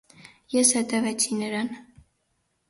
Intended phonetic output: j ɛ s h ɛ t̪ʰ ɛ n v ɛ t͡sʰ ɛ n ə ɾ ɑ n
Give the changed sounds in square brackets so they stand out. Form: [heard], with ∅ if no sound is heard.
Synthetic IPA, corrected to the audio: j ɛ s h ɛ [t̪] ɛ [∅] v ɛ t͡sʰ [i] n ə ɾ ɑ n